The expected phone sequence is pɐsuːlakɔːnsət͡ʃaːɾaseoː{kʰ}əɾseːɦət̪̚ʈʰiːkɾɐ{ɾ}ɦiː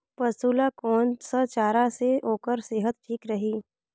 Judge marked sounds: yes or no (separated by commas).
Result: no, no